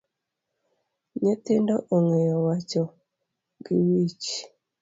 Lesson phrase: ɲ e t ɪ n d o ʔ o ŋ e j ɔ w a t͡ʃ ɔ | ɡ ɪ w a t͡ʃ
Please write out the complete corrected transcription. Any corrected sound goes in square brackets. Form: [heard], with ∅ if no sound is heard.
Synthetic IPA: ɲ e t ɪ n d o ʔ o ŋ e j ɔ w a t͡ʃ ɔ | ɡ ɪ w [i] t͡ʃ